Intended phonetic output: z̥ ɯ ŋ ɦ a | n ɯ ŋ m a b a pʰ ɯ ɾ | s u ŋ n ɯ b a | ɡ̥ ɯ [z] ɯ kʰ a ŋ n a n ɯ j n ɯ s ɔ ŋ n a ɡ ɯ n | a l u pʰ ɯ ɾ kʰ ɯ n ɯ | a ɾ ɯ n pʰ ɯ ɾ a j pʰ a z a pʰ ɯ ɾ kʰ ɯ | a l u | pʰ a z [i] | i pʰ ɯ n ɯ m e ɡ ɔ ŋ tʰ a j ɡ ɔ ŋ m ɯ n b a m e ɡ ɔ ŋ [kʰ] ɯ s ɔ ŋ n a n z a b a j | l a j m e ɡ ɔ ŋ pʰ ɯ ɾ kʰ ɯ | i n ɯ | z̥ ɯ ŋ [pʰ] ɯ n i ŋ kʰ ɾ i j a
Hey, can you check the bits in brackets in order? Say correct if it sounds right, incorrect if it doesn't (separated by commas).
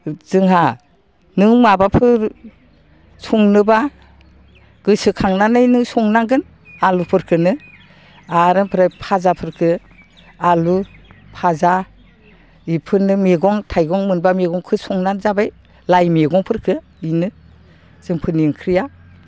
incorrect, incorrect, correct, correct